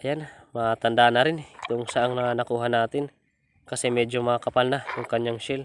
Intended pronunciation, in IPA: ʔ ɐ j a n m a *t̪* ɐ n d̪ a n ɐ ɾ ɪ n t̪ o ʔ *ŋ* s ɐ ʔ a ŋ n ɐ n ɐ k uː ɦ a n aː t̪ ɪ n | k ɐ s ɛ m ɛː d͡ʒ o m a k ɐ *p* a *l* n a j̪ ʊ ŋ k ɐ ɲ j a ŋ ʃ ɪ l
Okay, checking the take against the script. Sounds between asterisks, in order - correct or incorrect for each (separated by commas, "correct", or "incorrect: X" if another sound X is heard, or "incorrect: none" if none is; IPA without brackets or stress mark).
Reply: correct, correct, correct, correct